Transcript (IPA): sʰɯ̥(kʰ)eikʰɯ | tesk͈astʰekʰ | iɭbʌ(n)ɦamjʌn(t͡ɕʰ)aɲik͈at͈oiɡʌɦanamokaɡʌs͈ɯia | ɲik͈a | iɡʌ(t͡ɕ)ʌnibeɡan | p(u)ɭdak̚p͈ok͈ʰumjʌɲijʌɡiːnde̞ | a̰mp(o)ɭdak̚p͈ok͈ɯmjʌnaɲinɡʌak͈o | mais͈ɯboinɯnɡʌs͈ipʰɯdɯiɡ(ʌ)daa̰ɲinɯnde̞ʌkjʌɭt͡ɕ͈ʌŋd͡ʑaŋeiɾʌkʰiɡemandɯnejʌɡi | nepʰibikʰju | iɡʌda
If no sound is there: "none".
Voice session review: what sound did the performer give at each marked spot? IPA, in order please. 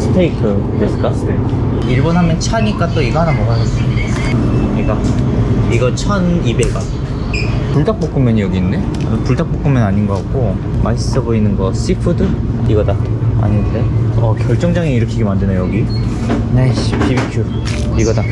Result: tʰ, n, t͡ɕʰ, t͡ɕʰ, u, u, ʌ

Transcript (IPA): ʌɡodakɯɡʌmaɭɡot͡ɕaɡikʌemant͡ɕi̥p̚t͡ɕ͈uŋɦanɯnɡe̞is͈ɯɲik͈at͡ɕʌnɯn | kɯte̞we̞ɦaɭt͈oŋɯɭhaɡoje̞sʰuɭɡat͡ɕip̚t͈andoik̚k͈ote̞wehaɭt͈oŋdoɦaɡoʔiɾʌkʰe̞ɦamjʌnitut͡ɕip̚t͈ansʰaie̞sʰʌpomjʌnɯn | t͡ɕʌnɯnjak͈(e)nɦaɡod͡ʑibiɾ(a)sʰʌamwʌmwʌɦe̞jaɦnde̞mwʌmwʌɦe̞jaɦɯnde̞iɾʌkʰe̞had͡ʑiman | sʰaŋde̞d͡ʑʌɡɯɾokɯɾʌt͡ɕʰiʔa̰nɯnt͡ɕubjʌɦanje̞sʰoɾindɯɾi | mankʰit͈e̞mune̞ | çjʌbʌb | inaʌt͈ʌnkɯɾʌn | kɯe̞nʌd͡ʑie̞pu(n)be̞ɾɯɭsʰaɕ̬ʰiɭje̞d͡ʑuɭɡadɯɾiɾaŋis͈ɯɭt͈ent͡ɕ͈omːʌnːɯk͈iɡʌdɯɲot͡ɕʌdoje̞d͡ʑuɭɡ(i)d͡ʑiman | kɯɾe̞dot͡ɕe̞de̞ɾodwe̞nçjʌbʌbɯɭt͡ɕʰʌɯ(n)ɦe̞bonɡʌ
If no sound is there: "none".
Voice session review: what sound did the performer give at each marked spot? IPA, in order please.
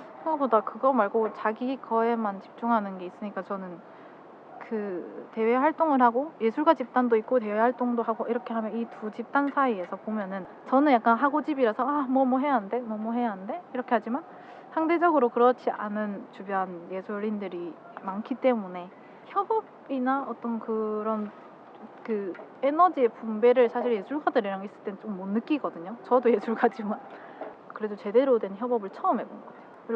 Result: a, a, m, a, m

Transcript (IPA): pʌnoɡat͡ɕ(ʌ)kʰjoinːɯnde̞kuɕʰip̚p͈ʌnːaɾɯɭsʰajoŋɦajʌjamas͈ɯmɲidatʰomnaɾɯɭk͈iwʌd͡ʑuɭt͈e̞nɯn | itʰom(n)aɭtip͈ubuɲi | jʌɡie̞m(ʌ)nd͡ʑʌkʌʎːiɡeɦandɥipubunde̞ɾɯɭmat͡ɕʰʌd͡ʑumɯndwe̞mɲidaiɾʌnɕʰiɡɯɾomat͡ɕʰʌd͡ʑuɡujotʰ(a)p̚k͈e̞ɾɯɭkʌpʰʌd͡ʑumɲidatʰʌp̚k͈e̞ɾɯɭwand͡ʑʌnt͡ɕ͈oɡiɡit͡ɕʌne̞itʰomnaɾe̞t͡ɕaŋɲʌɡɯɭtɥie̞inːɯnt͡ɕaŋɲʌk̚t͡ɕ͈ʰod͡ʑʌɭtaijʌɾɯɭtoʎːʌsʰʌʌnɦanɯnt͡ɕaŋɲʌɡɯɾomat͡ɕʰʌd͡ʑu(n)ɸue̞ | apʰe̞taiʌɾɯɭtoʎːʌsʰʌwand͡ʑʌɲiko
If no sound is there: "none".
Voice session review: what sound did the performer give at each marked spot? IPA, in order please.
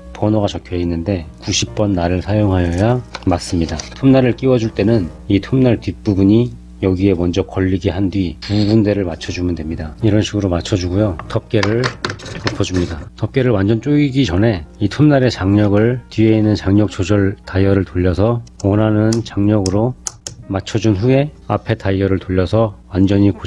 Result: ʌ, n, ʌ, ʌ, n

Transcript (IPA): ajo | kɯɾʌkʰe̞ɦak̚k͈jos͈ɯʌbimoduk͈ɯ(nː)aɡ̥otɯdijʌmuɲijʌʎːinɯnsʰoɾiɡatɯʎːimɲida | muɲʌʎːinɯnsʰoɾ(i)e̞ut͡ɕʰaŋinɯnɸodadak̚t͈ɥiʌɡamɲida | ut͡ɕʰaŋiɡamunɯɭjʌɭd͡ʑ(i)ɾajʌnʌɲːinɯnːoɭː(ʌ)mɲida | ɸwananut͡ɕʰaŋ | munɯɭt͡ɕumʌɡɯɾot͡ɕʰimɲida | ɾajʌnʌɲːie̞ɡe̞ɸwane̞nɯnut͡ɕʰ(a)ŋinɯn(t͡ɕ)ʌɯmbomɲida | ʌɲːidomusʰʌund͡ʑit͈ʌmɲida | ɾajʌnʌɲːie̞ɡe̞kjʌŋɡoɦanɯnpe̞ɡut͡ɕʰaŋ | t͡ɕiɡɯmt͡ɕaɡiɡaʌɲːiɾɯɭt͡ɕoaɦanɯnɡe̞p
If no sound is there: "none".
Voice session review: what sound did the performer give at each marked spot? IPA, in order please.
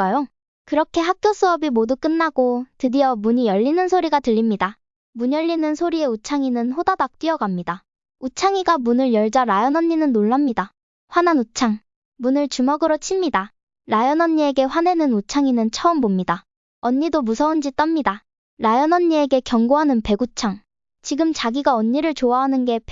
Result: nː, i, a, a, a, t͡ɕʰ

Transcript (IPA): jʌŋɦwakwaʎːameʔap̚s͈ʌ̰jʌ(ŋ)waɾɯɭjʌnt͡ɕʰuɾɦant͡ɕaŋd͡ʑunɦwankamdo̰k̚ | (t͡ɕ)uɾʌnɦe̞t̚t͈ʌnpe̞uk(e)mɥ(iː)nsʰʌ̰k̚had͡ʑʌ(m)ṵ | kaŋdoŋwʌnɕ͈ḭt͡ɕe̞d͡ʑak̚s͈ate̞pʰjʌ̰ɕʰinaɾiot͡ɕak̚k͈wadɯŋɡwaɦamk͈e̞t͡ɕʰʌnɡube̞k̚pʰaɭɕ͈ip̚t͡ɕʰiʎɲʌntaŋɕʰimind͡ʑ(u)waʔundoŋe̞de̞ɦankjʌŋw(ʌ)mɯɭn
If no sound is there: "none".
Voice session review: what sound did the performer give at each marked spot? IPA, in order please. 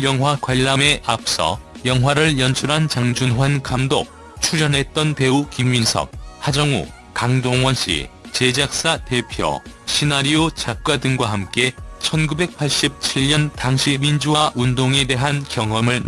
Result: ŋ, t͡ɕʰ, i, i, ŋ, u, ʌ

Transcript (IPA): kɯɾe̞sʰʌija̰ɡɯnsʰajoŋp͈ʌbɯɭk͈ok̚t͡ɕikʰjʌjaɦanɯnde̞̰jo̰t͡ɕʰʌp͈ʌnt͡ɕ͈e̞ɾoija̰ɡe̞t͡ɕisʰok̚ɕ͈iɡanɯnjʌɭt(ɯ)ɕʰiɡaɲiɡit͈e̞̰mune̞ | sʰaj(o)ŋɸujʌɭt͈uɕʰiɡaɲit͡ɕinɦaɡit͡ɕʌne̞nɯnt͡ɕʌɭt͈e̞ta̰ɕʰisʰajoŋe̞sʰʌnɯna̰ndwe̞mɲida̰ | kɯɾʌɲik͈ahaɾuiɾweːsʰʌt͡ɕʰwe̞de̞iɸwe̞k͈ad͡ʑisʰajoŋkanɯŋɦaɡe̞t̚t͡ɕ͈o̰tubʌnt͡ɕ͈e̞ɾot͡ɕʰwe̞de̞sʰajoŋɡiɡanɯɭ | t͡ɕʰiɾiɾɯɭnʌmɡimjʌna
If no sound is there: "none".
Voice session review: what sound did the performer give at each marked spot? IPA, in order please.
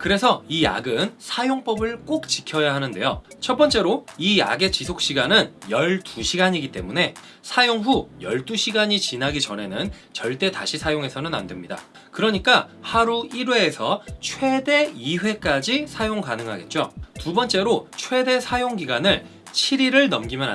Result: u, o

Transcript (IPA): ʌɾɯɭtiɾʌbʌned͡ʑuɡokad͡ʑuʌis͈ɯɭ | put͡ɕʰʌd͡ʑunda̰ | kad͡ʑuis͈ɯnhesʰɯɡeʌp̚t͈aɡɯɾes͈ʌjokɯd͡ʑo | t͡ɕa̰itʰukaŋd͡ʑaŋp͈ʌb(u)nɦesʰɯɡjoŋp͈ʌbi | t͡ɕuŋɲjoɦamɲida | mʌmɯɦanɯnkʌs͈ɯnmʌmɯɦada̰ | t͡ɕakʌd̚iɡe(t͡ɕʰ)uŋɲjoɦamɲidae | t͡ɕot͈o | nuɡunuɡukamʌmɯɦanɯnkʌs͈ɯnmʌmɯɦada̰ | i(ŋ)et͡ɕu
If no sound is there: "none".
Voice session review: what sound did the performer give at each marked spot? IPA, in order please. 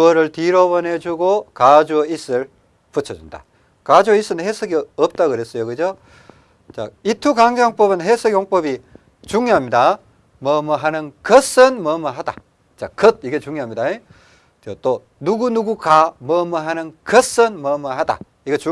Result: ɯ, t͡ɕ, ɡ

